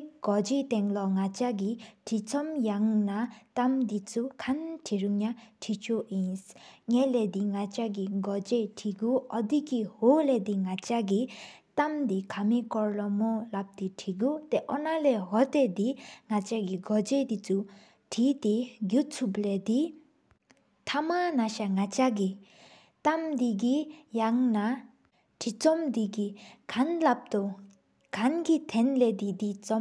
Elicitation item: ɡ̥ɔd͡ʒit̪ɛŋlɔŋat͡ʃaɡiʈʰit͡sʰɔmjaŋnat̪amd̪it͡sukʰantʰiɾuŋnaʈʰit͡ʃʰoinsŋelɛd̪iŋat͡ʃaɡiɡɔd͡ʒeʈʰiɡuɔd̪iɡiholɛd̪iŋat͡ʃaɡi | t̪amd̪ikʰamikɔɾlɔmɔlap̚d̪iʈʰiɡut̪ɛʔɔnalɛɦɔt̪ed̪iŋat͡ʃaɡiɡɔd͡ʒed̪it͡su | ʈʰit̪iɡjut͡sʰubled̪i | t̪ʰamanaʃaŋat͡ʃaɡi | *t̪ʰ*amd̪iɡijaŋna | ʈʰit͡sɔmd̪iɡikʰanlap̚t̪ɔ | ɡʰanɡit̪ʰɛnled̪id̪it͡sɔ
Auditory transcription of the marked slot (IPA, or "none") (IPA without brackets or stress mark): t̪